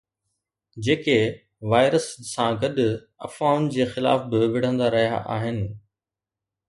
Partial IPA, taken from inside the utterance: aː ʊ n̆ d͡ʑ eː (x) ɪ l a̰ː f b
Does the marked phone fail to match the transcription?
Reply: no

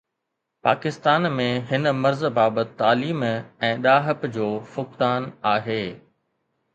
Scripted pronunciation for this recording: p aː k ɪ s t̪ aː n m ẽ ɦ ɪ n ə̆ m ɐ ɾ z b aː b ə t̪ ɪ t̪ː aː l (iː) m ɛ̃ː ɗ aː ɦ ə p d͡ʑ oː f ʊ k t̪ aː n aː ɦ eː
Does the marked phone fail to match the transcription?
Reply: no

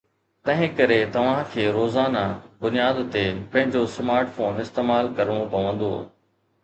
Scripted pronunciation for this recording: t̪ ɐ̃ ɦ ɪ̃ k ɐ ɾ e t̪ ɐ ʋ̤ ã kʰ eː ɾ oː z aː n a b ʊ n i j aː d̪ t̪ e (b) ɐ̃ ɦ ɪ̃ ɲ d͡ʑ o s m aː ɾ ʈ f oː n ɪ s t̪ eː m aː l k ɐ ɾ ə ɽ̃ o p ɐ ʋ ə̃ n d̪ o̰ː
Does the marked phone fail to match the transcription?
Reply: yes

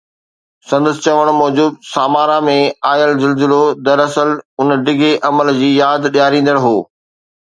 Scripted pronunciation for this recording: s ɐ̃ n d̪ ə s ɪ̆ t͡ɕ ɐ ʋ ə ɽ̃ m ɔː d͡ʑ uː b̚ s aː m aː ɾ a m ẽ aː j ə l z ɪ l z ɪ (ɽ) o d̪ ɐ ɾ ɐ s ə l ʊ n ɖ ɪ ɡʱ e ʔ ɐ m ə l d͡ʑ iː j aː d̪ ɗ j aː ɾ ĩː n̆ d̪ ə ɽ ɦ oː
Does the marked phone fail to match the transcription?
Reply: yes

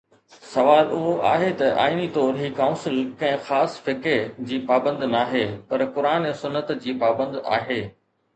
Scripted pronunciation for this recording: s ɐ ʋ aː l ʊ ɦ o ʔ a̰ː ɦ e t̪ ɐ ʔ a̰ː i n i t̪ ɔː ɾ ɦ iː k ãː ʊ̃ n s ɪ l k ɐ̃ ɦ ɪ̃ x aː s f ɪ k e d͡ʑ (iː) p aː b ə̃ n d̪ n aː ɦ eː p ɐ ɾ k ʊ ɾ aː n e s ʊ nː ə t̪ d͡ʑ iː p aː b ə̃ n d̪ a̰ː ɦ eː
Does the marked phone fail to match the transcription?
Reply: no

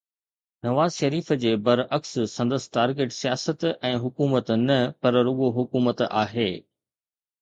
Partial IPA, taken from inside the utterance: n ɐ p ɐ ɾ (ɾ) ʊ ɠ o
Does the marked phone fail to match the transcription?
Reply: no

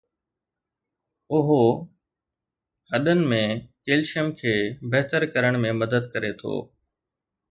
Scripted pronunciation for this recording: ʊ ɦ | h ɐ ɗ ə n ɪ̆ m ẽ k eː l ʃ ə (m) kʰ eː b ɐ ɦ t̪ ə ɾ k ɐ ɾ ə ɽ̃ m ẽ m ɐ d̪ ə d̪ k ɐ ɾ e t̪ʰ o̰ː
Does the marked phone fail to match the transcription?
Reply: no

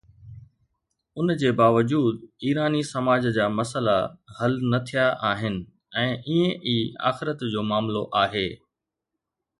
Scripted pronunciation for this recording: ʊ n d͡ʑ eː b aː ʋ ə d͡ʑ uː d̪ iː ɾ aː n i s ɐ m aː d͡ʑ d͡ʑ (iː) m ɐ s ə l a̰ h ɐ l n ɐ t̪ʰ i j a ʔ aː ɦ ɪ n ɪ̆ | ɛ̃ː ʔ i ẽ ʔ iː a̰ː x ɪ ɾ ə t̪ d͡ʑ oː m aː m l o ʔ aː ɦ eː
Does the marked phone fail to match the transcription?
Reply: yes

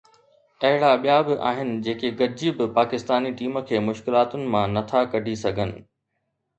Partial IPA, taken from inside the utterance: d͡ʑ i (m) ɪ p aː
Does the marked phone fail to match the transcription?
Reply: yes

